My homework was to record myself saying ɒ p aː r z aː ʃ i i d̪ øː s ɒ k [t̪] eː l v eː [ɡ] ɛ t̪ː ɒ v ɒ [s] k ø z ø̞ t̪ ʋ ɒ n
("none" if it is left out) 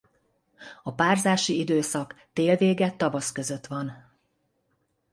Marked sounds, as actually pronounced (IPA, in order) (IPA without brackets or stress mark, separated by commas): t̪, ɡ, s